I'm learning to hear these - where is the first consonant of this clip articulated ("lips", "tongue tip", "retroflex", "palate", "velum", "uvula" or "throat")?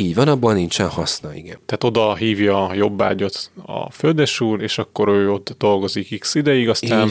palate